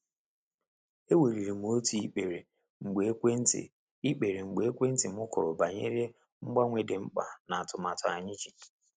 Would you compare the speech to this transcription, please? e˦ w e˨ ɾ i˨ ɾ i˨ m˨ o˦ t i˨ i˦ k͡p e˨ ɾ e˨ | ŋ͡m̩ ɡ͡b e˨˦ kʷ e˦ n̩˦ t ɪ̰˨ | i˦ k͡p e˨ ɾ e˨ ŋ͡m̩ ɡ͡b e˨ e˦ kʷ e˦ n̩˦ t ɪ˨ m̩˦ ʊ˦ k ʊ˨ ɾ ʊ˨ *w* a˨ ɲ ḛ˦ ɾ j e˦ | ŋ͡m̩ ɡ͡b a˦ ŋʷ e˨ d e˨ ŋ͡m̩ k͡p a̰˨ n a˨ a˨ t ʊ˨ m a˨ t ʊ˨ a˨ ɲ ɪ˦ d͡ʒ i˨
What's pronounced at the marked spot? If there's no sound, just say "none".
b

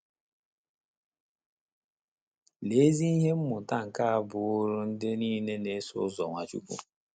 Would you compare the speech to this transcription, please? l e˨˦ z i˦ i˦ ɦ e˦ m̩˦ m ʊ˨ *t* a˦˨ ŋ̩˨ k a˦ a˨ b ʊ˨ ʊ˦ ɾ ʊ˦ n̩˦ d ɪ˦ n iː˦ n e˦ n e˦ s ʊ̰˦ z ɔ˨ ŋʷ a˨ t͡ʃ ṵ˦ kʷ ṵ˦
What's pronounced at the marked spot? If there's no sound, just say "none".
t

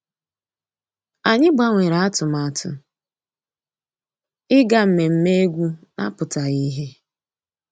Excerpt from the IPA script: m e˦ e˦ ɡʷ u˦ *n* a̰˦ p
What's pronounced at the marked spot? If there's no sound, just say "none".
n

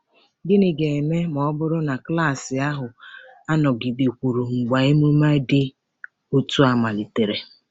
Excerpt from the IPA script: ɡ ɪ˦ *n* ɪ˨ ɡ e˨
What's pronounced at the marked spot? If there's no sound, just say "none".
n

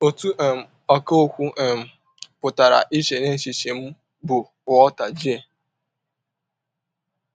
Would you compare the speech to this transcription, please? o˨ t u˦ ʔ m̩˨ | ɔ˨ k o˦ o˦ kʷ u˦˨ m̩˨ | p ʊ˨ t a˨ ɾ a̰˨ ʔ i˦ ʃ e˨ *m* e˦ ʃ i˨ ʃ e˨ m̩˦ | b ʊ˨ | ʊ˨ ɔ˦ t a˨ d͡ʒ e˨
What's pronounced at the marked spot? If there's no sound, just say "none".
n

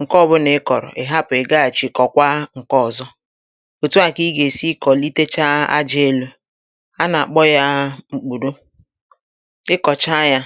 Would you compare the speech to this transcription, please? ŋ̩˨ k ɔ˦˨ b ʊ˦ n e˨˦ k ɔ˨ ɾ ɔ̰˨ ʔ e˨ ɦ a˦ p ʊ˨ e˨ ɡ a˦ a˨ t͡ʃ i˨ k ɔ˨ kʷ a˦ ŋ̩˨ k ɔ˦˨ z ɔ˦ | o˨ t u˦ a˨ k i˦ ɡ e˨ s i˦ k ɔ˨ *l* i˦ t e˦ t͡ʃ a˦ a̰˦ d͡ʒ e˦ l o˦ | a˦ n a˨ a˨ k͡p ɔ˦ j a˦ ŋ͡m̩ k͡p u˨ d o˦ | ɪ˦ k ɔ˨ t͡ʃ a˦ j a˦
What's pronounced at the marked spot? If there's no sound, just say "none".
l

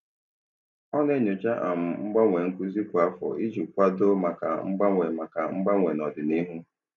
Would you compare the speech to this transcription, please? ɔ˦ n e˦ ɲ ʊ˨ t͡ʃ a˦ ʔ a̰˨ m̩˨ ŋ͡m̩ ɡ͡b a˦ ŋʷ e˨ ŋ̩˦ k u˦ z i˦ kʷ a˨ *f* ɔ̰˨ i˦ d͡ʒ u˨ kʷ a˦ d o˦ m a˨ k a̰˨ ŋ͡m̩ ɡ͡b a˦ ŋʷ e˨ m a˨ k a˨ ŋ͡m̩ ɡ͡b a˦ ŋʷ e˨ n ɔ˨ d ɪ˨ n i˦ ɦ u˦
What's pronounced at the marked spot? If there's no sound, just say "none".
f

